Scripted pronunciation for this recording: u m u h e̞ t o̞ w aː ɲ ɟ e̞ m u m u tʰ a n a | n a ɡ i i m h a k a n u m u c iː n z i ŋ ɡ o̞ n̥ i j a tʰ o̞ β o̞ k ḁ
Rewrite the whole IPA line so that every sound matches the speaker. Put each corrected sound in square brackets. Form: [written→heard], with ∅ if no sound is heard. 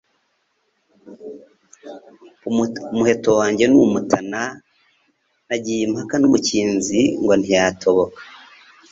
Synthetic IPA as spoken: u m u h e̞ t o̞ w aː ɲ ɟ e̞ [m→n] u m u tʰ a n a | n a [ɡ→ɟ] i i m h a k a n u m u c iː n z i ŋ ɡ o̞ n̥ i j a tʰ o̞ β o̞ k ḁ